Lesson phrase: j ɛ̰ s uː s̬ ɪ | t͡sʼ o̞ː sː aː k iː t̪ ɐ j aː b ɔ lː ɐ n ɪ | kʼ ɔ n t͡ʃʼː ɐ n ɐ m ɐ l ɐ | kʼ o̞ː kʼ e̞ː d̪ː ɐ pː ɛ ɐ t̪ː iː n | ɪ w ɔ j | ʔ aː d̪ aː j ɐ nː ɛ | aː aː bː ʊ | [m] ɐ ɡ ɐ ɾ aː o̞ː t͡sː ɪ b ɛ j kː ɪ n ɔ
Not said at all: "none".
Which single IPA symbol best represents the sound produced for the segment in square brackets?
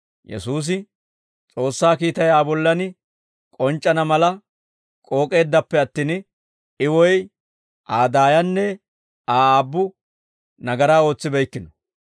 n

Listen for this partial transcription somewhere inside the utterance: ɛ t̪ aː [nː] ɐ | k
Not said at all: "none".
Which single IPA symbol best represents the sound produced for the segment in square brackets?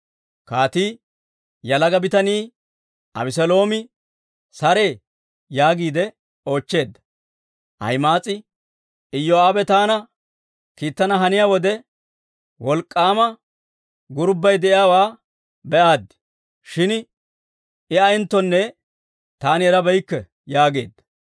n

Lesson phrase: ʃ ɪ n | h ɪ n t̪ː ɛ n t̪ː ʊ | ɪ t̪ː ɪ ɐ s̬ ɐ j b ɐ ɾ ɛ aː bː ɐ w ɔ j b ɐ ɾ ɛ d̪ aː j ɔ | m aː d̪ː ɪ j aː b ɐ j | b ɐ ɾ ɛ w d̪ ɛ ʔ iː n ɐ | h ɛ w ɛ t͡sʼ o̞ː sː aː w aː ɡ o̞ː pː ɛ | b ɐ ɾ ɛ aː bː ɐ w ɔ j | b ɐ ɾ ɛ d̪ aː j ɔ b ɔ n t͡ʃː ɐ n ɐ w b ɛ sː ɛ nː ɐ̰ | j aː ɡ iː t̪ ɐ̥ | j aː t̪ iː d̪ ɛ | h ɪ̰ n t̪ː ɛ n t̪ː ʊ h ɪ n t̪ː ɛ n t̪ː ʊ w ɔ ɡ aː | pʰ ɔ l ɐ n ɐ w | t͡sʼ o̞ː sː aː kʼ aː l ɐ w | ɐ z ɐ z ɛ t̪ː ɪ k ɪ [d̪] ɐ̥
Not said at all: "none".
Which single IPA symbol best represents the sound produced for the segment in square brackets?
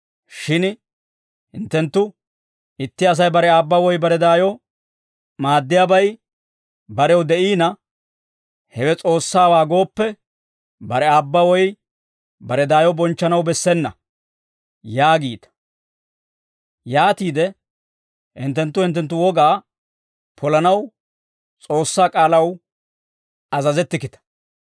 t̪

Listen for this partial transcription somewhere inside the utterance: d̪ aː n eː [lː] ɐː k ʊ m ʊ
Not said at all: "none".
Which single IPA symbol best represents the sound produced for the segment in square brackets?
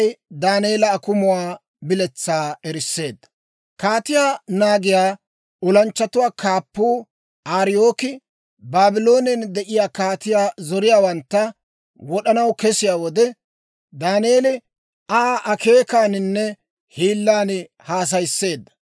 l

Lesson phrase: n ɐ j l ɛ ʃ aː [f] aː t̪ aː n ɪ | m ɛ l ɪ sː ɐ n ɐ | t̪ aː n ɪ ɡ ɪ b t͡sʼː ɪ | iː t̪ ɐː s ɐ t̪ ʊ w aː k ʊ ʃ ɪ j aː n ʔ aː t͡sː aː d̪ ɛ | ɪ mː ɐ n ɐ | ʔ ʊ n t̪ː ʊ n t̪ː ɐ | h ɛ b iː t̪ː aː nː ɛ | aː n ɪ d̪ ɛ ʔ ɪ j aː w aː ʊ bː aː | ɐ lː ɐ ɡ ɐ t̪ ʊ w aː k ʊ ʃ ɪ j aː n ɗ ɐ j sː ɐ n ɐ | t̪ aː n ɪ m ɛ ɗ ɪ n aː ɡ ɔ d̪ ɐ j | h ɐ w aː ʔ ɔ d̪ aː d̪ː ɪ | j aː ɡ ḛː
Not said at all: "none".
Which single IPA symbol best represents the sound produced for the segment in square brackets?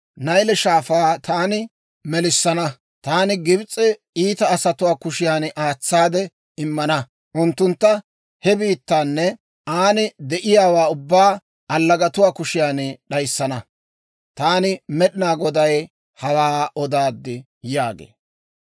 f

